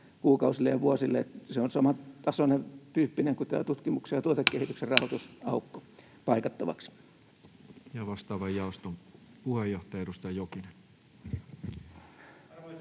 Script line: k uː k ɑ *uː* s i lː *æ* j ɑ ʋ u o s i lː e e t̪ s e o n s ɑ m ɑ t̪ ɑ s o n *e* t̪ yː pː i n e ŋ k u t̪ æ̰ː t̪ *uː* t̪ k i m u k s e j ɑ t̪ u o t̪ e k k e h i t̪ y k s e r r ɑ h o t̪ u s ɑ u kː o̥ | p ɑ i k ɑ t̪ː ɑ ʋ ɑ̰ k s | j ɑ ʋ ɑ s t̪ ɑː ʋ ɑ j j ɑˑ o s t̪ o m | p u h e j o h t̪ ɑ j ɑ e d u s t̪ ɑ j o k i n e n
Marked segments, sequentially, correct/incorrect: incorrect, incorrect, correct, incorrect

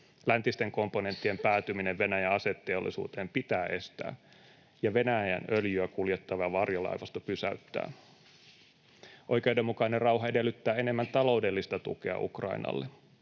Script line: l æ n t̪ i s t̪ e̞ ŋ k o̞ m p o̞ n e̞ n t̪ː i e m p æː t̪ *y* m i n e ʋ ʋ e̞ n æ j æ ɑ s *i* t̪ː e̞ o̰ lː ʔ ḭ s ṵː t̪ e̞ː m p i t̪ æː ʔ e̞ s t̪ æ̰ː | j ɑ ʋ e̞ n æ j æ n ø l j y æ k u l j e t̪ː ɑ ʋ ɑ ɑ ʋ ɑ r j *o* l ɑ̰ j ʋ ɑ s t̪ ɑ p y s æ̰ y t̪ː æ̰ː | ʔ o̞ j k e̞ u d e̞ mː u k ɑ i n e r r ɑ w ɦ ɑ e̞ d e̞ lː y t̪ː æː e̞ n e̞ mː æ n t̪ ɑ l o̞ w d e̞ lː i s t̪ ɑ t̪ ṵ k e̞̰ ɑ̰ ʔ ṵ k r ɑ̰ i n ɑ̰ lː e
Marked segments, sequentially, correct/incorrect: correct, incorrect, correct

